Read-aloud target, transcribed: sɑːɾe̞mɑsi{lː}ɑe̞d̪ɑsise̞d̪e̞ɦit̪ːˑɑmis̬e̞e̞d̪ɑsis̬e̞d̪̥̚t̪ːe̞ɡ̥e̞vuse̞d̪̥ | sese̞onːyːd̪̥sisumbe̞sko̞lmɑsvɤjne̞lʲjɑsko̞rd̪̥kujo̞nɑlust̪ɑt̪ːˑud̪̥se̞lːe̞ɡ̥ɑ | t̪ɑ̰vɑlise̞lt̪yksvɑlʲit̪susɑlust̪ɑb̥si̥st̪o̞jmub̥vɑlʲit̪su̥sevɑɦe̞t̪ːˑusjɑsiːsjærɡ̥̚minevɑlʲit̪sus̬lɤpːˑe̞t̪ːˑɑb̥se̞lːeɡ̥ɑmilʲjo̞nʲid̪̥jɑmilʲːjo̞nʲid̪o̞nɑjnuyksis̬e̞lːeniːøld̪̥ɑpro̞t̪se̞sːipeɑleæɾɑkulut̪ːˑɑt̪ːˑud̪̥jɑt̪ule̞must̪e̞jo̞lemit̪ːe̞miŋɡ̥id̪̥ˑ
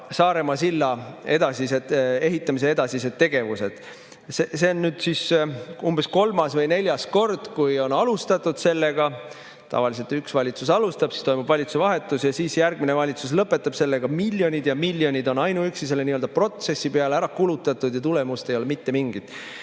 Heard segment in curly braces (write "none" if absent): lː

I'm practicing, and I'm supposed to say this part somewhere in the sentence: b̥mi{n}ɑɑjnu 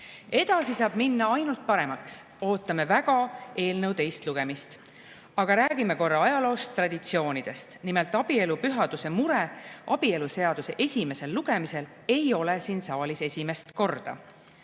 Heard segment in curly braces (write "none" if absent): nː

